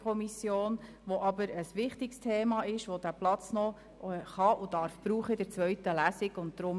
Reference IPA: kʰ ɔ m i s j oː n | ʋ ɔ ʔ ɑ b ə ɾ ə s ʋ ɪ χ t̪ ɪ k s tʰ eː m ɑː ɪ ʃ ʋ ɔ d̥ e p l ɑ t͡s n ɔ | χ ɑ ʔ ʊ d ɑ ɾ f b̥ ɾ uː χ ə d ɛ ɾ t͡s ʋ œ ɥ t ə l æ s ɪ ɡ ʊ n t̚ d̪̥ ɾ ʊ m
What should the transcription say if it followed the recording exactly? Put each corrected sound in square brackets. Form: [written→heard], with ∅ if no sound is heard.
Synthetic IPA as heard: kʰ ɔ m i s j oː n | ʋ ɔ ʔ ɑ b ə ɾ ə s ʋ ɪ χ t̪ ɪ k s tʰ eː m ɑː ɪ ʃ ʋ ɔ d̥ [e→æ] p l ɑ t͡s n ɔ | χ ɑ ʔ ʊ d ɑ ɾ f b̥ ɾ uː χ ə d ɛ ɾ t͡s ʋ œ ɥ t ə l æ s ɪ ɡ ʊ n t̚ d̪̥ ɾ ʊ m